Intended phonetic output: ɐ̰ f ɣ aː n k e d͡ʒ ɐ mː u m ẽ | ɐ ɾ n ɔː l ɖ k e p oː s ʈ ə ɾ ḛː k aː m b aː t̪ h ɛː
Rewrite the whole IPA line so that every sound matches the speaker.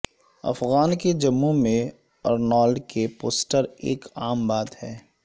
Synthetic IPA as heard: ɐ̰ f ɣ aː n k e d͡ʒ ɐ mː u m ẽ | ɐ ɾ n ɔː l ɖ k e p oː s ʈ ə ɾ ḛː k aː m b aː t̪ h ɛː